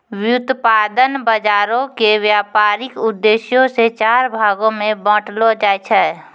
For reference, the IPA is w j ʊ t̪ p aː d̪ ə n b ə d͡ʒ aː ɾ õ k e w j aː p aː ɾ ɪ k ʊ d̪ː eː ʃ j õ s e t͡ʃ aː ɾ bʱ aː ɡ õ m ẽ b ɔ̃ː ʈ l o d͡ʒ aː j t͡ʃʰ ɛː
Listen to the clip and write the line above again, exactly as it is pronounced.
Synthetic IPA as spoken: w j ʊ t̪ p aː d̪ ə n b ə d͡ʒ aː ɾ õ k e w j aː p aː ɾ ɪ k ʊ d̪ː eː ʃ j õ s e t͡ʃ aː ɾ bʱ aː ɡ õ m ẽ b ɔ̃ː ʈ l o d͡ʒ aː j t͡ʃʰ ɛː